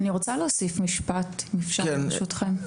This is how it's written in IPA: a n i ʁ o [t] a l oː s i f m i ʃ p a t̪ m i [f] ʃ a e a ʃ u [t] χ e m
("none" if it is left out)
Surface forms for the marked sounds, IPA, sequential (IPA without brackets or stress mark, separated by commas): t͡s, f, t